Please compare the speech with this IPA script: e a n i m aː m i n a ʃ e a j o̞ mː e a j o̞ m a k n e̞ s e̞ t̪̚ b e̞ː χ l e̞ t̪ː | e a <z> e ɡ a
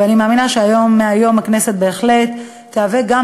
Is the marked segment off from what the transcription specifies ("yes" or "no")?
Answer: yes